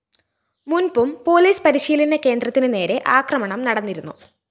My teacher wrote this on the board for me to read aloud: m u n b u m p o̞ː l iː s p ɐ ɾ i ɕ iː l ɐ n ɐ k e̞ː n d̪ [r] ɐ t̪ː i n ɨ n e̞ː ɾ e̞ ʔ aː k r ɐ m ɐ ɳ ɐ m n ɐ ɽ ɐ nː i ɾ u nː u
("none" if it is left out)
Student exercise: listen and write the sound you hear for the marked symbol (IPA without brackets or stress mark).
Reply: r